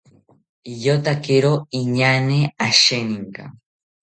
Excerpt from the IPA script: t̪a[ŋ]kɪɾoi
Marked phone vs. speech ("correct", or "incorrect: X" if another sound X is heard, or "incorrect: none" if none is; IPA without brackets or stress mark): incorrect: none